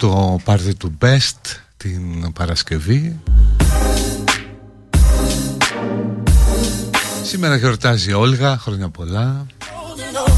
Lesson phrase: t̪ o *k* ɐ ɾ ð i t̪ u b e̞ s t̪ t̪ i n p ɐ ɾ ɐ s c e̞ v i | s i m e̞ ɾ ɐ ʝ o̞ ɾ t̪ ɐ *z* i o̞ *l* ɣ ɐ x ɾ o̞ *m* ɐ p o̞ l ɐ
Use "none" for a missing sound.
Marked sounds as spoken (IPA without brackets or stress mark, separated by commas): p, z, l, ɲ